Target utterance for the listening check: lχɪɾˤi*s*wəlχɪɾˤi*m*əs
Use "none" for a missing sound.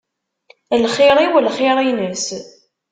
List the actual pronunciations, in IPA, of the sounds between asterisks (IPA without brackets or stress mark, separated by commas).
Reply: none, n